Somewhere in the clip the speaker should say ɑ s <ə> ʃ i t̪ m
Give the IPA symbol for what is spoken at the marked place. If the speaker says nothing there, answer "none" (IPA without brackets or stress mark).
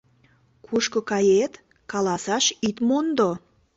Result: ɑ